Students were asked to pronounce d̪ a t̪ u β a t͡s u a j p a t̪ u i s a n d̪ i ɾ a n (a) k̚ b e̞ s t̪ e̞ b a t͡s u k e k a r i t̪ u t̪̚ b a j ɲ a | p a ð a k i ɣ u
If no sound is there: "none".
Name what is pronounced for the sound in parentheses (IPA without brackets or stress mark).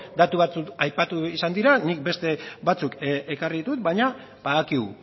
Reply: i